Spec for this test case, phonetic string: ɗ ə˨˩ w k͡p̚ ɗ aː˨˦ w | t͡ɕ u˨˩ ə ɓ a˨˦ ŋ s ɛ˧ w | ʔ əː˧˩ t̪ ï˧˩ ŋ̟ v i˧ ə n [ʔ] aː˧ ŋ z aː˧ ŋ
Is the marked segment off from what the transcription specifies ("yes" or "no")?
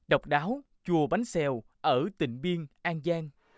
no